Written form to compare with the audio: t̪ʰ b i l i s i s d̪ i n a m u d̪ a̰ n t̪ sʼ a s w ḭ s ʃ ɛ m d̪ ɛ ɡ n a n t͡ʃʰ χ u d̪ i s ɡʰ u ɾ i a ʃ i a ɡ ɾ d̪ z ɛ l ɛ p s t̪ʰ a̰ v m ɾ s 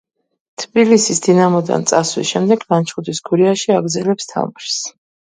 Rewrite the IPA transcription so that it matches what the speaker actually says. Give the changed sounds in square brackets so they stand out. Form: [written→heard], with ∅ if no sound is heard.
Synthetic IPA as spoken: t̪ʰ b i l i s i s d̪ i n a m [u→ɔ] d̪ a̰ n t̪ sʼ a s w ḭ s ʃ ɛ m d̪ ɛ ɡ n a n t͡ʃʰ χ u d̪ i s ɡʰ u ɾ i a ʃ i a ɡ ɾ d̪ z ɛ l ɛ p s t̪ʰ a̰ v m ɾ s